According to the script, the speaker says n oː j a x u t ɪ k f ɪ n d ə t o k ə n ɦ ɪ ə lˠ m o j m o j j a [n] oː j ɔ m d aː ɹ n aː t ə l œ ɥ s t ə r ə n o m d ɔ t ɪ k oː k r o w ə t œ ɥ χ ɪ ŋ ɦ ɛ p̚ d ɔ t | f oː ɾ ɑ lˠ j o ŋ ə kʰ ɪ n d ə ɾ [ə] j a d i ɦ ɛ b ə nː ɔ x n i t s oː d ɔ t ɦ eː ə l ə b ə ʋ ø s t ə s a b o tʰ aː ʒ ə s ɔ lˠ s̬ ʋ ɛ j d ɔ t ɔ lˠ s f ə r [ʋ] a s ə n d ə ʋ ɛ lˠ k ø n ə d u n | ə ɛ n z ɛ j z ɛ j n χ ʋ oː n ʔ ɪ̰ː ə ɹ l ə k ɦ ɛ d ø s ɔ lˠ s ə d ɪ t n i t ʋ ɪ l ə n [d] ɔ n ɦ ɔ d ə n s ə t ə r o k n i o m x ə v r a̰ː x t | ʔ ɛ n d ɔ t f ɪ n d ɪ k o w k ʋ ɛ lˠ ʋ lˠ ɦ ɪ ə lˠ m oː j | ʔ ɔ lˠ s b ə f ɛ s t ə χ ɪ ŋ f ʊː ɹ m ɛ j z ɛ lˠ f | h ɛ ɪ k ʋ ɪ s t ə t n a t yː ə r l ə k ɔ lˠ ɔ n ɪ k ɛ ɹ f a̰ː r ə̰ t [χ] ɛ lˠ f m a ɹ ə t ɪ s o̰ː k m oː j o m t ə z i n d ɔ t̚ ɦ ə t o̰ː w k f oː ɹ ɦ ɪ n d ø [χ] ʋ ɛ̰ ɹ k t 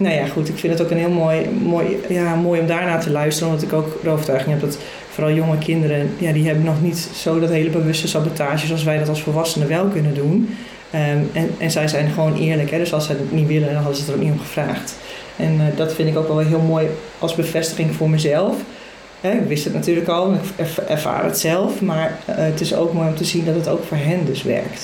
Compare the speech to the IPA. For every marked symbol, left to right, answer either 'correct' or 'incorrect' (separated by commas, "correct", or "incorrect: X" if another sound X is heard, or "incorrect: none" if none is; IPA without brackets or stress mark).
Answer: incorrect: m, correct, correct, correct, incorrect: s, incorrect: s